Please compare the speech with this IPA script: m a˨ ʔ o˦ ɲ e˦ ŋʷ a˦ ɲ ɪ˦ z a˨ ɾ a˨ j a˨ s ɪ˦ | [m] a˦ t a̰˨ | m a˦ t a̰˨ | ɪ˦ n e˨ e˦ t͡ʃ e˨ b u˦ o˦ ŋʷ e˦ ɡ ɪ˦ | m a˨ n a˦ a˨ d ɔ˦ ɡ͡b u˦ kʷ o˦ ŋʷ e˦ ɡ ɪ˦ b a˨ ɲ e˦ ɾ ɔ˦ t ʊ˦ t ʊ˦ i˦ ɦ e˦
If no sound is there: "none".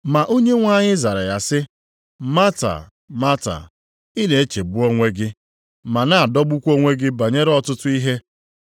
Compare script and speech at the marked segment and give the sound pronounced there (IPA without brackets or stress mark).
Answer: m